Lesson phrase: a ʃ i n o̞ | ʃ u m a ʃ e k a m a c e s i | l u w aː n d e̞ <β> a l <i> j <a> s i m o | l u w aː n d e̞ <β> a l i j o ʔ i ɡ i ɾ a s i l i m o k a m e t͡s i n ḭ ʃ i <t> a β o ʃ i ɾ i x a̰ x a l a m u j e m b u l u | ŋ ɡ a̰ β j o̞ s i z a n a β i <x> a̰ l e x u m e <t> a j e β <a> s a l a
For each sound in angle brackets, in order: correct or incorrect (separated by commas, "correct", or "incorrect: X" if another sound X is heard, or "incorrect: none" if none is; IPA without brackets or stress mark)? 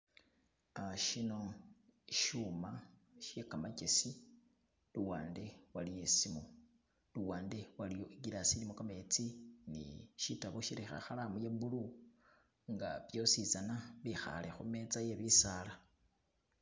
incorrect: w, correct, incorrect: e, incorrect: w, correct, correct, incorrect: t͡s, incorrect: i